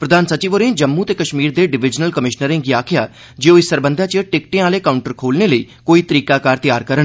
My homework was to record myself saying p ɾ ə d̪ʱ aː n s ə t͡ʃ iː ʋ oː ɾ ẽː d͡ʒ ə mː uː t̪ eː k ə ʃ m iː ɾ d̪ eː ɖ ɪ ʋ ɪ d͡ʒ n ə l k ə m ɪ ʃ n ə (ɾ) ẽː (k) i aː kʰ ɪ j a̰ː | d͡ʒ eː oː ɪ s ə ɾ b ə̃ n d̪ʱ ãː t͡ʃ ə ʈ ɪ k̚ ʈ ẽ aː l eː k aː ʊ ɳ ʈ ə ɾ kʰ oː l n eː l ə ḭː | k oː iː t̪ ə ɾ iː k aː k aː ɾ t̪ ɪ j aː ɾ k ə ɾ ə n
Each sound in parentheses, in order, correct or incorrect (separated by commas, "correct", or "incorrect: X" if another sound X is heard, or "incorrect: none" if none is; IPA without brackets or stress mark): correct, incorrect: ɡ